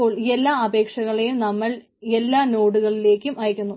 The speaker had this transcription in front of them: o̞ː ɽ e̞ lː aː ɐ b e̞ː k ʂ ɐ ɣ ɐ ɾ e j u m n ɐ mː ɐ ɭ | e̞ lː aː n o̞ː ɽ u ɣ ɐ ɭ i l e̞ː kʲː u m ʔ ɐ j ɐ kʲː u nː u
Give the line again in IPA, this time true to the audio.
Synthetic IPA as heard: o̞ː ɭ e̞ lː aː ɐ b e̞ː k ʂ ɐ ɣ ɐ ɭ e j u m n ɐ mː ɐ ɭ | e̞ lː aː n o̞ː ɽ u ɣ ɐ ɭ i l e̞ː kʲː u m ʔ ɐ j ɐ kʲː u nː u